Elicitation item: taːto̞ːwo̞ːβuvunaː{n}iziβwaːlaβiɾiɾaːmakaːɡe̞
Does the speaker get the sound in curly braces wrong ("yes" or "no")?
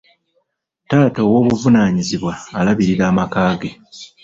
yes